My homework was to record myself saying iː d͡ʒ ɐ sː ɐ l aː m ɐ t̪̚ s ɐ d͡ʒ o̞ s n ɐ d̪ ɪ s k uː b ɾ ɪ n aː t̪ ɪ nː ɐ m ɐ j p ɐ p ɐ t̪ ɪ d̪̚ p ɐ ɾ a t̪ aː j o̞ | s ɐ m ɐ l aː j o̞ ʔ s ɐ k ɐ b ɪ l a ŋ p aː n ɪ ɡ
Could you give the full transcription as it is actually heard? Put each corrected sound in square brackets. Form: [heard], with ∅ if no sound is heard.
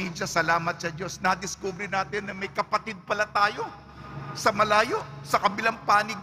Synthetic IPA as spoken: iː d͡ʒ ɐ [s] ɐ l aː m ɐ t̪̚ s ɐ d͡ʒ o̞ s n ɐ d̪ ɪ s k uː b ɾ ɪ n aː t̪ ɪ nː ɐ m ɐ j [k] ɐ p ɐ t̪ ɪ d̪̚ p ɐ [l] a t̪ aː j o̞ | s ɐ m ɐ l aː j o̞ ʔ s ɐ k ɐ b ɪ l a ŋ p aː n ɪ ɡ